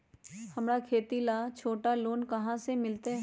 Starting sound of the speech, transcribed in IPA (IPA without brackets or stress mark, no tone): h